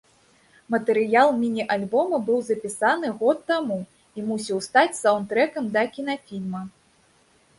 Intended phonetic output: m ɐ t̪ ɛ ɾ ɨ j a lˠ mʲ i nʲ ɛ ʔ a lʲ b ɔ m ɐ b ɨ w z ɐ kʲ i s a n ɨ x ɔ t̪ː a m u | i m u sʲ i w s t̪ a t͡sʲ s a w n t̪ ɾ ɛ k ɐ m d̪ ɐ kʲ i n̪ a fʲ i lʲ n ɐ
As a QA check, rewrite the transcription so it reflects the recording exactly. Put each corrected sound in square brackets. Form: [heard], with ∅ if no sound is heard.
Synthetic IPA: m ɐ t̪ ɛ ɾ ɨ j a lˠ mʲ i nʲ [i] ʔ a lʲ b ɔ m ɐ b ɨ w z ɐ [pʲ] i s a n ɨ [ɣ] ɔ t̪ː a m u | i m u sʲ i w s t̪ a t͡sʲ s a w n t̪ ɾ ɛ k ɐ m d̪ ɐ kʲ i n̪ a fʲ i lʲ [m] ɐ